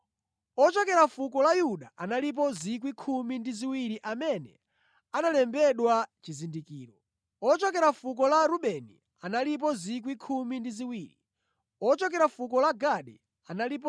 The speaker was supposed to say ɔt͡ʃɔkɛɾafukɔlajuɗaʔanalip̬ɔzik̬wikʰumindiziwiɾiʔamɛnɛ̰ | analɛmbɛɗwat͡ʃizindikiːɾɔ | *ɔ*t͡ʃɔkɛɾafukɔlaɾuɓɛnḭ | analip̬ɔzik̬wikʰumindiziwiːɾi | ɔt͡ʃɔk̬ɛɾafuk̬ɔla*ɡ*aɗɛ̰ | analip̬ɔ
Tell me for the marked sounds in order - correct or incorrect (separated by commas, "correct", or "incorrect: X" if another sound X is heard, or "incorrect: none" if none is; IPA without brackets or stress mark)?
correct, correct